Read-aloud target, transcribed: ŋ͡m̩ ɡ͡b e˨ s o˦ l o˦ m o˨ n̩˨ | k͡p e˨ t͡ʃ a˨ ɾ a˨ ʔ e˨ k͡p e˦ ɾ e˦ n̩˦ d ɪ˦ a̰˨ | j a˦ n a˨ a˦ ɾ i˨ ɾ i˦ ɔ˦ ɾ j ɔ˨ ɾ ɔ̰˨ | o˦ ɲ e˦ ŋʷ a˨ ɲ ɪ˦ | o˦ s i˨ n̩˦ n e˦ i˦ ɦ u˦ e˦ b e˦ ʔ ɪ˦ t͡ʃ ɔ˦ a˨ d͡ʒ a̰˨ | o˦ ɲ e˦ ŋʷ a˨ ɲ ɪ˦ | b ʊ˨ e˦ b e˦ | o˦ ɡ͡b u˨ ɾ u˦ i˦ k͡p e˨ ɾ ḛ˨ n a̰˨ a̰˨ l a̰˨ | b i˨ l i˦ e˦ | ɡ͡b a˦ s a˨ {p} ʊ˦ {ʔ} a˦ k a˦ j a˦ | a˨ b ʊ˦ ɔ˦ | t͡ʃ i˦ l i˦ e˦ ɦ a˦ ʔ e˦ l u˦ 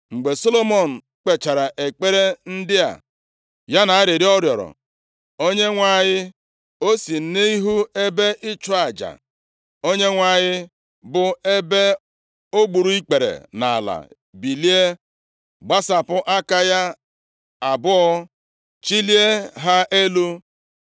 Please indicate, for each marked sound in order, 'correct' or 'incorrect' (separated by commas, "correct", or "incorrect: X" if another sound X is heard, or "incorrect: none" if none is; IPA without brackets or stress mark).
correct, correct